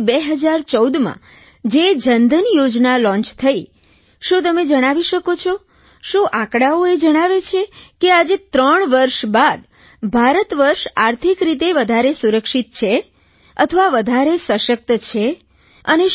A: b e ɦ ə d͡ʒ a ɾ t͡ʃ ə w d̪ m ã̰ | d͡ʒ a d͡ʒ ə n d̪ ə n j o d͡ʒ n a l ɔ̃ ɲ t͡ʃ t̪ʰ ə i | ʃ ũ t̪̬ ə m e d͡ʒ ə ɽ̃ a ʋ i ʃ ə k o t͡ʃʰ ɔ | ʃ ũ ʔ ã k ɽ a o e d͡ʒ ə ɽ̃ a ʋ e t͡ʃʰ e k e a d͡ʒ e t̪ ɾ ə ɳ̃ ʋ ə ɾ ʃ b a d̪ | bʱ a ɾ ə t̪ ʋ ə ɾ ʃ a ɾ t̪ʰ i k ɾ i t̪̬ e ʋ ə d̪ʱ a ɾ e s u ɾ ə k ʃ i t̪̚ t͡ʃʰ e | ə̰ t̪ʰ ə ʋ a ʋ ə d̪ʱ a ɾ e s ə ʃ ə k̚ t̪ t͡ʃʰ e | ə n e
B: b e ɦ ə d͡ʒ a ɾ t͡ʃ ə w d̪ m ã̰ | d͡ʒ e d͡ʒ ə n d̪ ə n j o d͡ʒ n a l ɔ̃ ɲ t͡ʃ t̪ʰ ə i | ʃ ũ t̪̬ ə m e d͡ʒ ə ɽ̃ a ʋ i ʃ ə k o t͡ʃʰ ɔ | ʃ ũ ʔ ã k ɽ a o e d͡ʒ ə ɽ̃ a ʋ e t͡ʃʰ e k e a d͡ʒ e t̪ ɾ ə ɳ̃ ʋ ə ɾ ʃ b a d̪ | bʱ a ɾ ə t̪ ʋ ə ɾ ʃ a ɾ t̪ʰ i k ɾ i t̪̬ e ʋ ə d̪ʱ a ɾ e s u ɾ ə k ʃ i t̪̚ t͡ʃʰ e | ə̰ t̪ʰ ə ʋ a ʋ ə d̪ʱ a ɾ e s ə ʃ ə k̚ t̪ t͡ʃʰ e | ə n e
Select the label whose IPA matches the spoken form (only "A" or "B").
B